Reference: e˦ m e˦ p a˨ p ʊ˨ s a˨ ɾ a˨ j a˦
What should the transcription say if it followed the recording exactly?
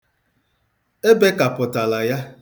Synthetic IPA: e˦ b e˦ k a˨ p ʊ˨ t a˨ l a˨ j a˦